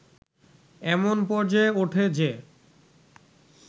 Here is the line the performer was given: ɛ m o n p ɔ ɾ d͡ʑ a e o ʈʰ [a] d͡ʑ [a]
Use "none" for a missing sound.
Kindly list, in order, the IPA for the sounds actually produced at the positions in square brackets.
e, e

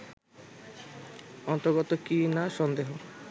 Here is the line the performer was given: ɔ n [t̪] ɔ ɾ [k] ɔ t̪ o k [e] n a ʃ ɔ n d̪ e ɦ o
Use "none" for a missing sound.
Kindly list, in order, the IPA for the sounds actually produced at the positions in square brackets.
t̪, ɡ, i

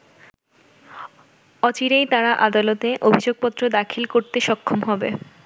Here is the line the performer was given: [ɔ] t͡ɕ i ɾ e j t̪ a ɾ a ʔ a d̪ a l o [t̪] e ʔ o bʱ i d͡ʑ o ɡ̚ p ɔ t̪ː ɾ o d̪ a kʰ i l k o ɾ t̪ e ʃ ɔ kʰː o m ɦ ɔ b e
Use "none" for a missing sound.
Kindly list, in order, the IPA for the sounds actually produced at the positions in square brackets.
ɔ, t̪

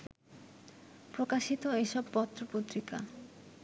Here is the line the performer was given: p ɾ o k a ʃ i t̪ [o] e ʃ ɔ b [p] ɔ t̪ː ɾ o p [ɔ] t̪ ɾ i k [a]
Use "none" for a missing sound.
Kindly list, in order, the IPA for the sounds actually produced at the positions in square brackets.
o, p, o, a

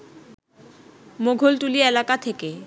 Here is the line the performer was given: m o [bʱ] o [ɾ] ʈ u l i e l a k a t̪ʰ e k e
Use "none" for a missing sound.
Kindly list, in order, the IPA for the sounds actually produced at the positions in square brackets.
ɡʱ, l

